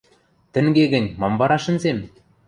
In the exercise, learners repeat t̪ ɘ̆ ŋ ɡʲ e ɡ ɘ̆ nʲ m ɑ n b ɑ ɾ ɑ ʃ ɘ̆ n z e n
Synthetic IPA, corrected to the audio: t̪ ɘ̆ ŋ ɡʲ e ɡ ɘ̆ nʲ m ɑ m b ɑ ɾ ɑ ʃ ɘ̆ n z e m